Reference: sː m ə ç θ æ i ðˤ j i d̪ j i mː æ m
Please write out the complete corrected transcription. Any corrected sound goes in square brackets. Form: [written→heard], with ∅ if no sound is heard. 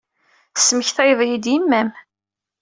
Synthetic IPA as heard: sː m ə ç θ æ [i→j] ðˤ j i d̪ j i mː æ m